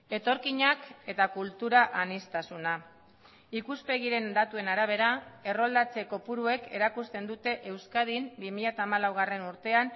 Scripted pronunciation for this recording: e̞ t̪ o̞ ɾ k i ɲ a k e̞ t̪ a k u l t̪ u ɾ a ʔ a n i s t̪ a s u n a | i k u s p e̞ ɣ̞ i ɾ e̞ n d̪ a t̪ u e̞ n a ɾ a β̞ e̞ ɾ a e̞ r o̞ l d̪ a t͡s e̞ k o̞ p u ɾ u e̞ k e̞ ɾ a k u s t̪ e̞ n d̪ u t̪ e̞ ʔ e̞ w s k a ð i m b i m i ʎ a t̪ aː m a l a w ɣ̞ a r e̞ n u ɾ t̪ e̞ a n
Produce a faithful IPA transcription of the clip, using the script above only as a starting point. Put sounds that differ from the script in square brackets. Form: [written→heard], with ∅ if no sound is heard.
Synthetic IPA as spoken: e̞ t̪ o̞ ɾ k i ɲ a k e̞ t̪ a k u l t̪ u ɾ a ʔ a n i s t̪ a s u n a | i k u s p e̞ ɣ̞ i ɾ e̞ n d̪ a t̪ u e̞ n a ɾ a β̞ e̞ ɾ a e̞ r o̞ l d̪ a t͡s e̞ k o̞ p u ɾ u e̞ k e̞ ɾ a k u s t̪ e̞ n d̪ u t̪ e̞ ʔ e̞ w s k a ð i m b i m i ʎ a t̪ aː m a l a w ɣ̞ a r e̞ n u ɾ t̪ e̞ a n